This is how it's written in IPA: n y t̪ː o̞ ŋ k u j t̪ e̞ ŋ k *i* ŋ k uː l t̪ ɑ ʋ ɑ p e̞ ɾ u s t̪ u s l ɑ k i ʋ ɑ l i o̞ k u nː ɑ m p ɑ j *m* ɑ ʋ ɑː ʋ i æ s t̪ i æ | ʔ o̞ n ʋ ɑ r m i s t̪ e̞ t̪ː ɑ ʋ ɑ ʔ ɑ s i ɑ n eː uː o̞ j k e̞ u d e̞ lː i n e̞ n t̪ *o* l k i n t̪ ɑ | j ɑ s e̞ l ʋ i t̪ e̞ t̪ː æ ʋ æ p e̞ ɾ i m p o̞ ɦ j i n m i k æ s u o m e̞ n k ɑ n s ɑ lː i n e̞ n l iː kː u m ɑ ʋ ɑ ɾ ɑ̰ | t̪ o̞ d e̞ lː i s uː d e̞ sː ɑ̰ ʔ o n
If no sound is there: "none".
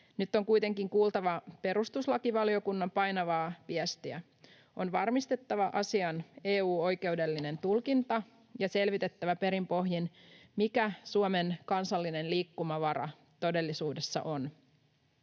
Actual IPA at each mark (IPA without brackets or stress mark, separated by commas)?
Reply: i, n, u